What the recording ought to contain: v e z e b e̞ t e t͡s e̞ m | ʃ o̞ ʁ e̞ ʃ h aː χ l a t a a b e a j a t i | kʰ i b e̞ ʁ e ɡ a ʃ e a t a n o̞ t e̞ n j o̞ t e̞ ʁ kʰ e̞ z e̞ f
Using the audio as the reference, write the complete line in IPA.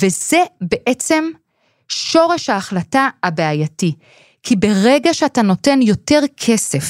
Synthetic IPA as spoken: v e z e b e̞ ʔ e t͡s e̞ m | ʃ o̞ ʁ e̞ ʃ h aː χ l a t a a b e a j a t i | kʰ i b e̞ ʁ e ɡ a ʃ e a t a n o̞ t e̞ n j o̞ t e̞ ʁ kʰ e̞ s e̞ f